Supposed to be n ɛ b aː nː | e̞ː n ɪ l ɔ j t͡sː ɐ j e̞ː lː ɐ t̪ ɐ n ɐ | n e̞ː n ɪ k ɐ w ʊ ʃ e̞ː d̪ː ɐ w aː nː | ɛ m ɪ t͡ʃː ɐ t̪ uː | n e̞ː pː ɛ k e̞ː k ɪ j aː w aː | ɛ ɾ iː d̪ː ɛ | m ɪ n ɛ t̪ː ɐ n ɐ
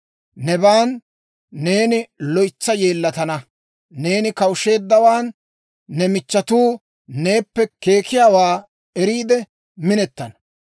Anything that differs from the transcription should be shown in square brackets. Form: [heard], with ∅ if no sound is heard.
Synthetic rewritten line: n ɛ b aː nː | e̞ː n ɪ l ɔ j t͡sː ɐ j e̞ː lː ɐ t̪ ɐ n ɐ | n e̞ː n ɪ k ɐ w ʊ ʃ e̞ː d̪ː ɐ w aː nː | ɛ m ɪ t͡ʃː ɐ t̪ uː | n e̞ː pː ɛ k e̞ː k ɪ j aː w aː | ɛ ɾ iː [d̪] ɛ | m ɪ n ɛ t̪ː ɐ n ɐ

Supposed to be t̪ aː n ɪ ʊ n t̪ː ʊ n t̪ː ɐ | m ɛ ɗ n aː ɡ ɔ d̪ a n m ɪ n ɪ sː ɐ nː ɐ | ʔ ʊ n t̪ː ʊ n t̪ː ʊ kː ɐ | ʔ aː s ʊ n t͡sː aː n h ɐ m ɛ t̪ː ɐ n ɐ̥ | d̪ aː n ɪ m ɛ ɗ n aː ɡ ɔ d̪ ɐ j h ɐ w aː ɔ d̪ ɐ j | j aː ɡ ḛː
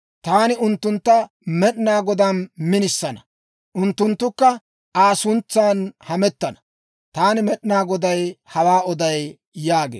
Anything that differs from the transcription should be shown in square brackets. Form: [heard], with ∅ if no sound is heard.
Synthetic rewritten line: t̪ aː n ɪ ʊ n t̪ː ʊ n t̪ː ɐ | m ɛ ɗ n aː ɡ ɔ d̪ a n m ɪ n ɪ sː ɐ [n] ɐ | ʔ ʊ n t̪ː ʊ n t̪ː ʊ kː ɐ | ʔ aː s ʊ n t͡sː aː n h ɐ m ɛ t̪ː ɐ n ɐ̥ | [t̪] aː n ɪ m ɛ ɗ n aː ɡ ɔ d̪ ɐ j h ɐ w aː ɔ d̪ ɐ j | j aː ɡ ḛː

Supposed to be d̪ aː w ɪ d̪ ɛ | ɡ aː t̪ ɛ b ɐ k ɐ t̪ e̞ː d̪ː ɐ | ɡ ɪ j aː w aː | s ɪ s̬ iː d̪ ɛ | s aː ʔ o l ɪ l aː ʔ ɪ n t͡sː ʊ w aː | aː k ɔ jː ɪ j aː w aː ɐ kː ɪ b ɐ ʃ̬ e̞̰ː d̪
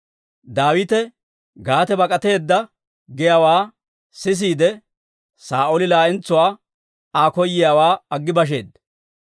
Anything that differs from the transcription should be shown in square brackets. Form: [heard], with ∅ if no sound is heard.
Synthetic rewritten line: d̪ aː w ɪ [t̪] ɛ | ɡ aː t̪ ɛ b ɐ [kʼ] ɐ t̪ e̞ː d̪ː ɐ | ɡ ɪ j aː w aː | s ɪ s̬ iː d̪ ɛ | s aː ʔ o l ɪ l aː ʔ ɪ n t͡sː ʊ w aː | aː k ɔ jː ɪ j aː w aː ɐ [ɡː] ɪ b ɐ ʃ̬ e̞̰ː d̪

